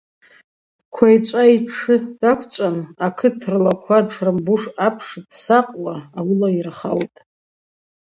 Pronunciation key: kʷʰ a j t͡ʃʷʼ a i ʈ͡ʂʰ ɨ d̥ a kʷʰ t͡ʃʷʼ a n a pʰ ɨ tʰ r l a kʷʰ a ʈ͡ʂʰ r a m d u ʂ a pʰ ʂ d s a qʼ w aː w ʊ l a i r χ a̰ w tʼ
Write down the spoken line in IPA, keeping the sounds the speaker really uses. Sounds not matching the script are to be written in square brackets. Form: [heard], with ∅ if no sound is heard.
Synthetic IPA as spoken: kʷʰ a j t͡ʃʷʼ a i ʈ͡ʂʰ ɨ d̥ a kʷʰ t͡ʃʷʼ a n a [kʰ] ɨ tʰ r l a kʷʰ a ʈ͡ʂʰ r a m [b] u ʂ a pʰ ʂ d s a qʼ w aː w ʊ l a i r χ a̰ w tʼ